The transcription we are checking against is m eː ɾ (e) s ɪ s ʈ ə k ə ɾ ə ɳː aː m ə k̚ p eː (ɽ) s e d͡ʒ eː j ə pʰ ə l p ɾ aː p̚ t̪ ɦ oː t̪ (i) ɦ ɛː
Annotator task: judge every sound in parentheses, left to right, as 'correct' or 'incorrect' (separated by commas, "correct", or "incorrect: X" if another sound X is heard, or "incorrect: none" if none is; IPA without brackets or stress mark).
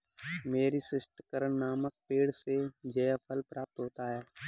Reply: incorrect: i, correct, incorrect: a